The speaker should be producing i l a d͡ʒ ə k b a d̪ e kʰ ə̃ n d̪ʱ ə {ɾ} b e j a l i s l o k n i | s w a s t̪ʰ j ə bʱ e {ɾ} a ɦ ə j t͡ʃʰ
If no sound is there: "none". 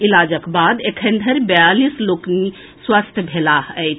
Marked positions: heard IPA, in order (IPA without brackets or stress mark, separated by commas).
ɾ, l